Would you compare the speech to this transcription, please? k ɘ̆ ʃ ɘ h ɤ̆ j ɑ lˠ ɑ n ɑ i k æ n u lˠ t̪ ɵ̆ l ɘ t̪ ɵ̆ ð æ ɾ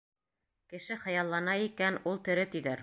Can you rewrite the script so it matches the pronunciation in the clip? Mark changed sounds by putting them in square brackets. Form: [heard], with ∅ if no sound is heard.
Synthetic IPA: k ɘ̆ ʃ ɘ [χ] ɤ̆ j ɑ [lˠː] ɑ n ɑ i k æ n u lˠ t̪ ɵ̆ [ɾ] ɘ t̪ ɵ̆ ð æ ɾ